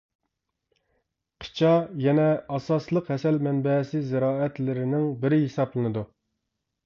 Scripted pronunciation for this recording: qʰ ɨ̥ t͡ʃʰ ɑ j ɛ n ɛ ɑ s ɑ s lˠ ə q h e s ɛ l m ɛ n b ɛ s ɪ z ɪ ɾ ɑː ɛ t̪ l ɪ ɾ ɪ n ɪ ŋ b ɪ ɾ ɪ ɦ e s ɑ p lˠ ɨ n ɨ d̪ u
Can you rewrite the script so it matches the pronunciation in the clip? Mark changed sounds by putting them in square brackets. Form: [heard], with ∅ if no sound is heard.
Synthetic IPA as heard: qʰ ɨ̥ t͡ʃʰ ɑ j ɛ n ɛ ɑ s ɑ s lˠ ə q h [ɛ] s ɛ l m ɛ n b ɛ s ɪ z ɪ ɾ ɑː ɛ t̪ l ɪ ɾ ɪ n ɪ ŋ b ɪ ɾ ɪ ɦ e s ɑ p lˠ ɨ n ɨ d̪ u